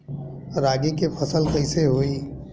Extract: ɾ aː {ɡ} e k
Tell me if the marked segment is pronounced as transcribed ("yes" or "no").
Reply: yes